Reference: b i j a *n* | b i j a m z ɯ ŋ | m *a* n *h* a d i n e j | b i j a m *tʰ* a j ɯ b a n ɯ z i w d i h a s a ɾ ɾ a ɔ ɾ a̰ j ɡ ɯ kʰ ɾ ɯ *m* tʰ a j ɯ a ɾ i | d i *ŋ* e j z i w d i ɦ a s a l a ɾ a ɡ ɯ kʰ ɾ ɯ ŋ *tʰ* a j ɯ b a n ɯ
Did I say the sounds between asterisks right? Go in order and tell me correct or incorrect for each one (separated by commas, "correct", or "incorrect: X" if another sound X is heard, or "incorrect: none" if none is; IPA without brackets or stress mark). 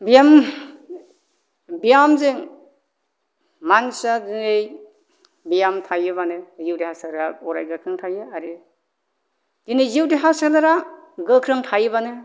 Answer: incorrect: m, correct, incorrect: s, correct, incorrect: ŋ, incorrect: n, correct